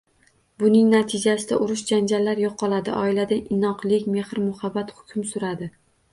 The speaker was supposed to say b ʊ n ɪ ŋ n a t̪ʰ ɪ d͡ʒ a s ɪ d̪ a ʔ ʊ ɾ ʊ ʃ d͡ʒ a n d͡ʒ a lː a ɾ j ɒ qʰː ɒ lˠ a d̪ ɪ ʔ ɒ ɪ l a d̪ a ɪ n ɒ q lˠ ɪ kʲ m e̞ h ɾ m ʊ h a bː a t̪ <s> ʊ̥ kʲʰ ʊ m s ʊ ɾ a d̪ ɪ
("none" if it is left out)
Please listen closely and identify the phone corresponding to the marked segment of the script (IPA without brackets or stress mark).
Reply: h